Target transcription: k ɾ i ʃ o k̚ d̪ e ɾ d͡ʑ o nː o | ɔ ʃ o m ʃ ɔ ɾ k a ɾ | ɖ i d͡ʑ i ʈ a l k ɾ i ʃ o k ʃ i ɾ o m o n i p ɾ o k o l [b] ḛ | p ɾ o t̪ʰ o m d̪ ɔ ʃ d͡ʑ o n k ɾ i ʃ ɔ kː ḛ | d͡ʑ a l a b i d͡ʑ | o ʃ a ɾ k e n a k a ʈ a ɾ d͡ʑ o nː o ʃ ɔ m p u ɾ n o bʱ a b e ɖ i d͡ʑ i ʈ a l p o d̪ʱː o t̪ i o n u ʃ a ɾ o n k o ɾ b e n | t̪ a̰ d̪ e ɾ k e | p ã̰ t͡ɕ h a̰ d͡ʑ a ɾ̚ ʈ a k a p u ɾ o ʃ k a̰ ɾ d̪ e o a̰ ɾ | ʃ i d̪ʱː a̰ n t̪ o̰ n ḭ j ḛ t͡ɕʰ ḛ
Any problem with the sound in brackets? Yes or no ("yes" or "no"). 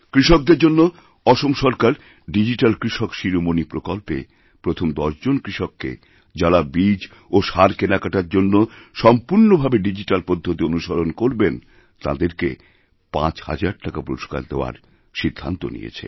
yes